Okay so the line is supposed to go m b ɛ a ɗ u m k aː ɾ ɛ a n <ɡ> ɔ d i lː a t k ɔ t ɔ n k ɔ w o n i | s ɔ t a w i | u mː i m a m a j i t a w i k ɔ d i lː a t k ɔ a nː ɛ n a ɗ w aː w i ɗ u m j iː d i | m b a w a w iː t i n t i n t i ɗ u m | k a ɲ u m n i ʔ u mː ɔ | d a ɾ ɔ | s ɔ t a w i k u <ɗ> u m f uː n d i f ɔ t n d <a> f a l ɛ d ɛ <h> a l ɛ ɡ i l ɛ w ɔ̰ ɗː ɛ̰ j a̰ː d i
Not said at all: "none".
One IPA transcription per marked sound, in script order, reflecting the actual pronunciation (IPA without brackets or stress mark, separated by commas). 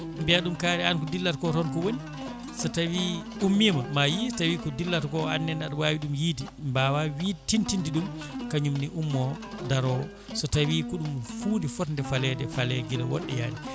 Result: k, ɗ, ɛ, f